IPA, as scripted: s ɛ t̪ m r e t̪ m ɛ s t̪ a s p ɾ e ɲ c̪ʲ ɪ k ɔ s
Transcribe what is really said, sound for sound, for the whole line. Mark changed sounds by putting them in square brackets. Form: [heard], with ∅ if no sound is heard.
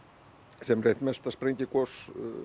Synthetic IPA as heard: s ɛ [∅] m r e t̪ m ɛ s t̪ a s p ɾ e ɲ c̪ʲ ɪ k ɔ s